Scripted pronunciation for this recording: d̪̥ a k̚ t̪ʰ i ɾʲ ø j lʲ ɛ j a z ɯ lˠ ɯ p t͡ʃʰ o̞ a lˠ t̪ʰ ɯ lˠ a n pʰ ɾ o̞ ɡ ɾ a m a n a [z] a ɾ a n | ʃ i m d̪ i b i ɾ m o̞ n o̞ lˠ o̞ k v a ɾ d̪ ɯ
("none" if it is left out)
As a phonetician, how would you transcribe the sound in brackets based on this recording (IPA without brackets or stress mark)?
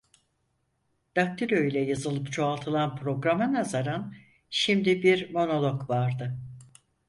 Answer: z